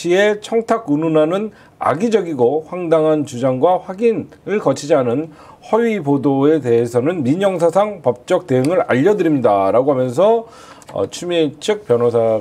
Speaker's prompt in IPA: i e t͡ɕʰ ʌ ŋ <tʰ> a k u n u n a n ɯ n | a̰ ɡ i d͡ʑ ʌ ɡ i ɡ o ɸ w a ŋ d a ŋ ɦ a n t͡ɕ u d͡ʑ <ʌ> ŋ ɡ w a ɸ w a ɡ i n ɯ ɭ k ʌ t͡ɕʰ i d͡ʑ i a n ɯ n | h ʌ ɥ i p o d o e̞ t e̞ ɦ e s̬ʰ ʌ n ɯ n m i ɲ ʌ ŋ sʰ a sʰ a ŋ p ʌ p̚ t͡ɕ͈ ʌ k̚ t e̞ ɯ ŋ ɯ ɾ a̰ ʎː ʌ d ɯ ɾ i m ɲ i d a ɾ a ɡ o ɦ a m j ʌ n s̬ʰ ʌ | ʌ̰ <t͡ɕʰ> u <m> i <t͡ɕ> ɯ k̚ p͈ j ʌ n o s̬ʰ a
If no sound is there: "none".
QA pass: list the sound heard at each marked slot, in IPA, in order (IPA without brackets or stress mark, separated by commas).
tʰ, a, t͡ɕʰ, m, t͡ɕʰ